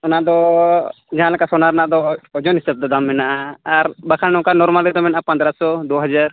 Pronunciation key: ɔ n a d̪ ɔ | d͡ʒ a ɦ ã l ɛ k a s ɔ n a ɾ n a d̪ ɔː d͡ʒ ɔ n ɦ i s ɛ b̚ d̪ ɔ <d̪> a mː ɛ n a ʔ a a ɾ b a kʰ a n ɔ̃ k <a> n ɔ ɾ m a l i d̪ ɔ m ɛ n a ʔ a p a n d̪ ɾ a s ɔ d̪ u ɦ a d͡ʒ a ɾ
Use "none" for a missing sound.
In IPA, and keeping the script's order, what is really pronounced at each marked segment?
d̪, a

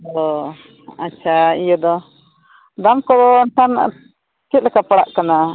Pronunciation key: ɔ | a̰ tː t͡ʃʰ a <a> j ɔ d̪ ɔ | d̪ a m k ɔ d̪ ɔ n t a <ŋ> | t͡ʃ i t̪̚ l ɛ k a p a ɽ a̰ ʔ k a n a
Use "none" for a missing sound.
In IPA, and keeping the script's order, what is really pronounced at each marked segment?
i, n

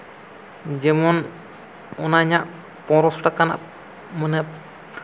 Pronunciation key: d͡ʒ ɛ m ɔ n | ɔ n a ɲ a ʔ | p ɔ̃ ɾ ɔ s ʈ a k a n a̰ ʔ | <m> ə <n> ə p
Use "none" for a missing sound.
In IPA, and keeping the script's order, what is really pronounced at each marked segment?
m, n

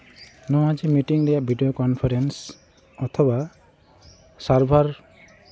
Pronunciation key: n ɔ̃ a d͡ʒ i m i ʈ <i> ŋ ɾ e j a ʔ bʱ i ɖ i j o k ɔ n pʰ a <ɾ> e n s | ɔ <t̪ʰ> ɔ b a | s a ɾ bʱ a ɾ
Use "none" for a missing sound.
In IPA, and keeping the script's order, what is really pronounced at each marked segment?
i, ɾ, t̪ʰ

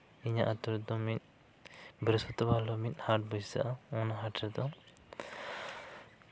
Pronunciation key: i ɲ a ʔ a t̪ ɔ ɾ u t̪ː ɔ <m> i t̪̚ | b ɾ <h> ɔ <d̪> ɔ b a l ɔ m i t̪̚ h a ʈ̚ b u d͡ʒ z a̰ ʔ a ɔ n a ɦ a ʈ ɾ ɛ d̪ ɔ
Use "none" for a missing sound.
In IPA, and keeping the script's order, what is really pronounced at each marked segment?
m, s, t̪

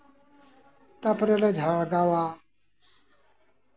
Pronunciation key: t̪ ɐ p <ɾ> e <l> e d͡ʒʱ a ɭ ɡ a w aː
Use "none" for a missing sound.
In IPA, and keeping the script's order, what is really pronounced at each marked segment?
ɾ, l

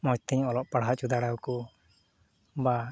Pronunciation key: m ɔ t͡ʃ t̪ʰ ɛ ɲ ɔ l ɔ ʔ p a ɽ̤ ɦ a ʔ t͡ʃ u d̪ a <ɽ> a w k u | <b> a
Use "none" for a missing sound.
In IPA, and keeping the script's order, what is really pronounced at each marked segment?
ɽ, b

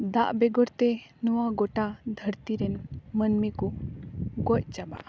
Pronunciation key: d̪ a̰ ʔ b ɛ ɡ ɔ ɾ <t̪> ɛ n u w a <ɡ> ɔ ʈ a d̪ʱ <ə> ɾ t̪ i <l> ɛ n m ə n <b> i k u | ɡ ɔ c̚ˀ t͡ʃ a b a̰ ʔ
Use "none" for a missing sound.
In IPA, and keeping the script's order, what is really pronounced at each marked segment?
t̪, ɡ, ə, ɾ, m

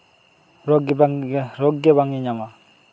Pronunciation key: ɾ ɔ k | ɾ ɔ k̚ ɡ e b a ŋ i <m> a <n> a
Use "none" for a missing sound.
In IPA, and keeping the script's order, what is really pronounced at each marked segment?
ɲ, m

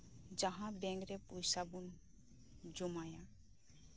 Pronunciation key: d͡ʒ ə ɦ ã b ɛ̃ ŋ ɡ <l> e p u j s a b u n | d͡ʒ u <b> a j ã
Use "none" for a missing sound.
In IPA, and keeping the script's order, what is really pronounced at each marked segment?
ɾ, m

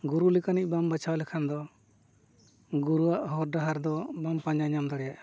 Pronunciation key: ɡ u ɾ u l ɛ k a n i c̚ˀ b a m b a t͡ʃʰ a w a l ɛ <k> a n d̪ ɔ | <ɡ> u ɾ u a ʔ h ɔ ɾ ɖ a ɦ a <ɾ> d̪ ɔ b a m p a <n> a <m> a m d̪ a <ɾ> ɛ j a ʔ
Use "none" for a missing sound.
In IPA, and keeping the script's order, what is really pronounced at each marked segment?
kʰ, ɡ, ɾ, ɲ, ɲ, ɽ

